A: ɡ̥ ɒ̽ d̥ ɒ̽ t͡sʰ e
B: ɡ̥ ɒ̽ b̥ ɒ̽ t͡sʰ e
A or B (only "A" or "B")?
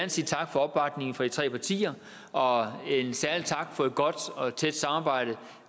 A